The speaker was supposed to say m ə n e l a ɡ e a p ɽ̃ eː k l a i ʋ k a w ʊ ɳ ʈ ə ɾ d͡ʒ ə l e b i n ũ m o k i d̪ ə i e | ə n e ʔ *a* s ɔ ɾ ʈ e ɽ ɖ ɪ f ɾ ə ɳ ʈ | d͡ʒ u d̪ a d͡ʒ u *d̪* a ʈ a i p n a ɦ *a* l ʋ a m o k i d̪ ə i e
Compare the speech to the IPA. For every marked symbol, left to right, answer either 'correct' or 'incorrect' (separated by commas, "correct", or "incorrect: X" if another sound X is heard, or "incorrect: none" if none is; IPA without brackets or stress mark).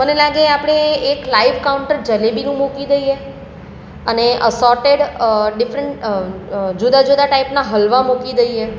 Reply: incorrect: ə, correct, incorrect: ə